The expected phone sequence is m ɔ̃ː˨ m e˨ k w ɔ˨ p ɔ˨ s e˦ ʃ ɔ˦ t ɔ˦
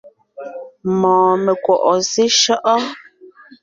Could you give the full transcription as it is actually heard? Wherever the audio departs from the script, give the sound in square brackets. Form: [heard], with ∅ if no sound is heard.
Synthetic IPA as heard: m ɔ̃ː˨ m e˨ k w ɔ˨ [ʔ] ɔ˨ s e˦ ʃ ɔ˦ [ʔ] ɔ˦